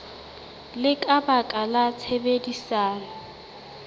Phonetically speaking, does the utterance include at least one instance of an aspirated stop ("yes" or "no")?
yes